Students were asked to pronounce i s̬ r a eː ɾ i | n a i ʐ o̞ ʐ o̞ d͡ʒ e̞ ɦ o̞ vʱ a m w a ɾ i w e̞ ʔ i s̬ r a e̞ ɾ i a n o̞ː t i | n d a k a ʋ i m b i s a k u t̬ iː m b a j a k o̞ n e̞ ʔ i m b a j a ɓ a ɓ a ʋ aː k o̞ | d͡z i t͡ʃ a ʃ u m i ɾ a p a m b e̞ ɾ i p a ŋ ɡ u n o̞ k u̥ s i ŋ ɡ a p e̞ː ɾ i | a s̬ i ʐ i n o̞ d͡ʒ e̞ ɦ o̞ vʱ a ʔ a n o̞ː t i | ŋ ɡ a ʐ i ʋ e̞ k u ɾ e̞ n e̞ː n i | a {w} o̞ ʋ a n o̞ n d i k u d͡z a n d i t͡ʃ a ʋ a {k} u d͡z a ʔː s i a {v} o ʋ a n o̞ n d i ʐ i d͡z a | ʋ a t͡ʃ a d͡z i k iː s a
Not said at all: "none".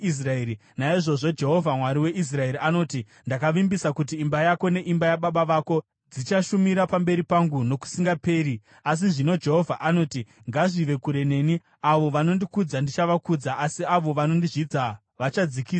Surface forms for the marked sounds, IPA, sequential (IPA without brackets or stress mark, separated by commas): ʋ, k, ʋ